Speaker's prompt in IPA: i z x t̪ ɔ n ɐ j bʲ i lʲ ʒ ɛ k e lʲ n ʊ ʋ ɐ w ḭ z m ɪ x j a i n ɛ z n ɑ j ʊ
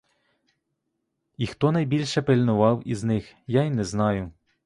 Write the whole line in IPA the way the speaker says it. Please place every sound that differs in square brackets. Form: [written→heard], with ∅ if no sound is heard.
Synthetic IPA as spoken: i [z→∅] x t̪ ɔ n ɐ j bʲ i lʲ [ʒ→ʃ] ɛ [k→p] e lʲ n ʊ ʋ [ɐ→ɑ] w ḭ z [m→n] ɪ x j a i n ɛ z n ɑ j ʊ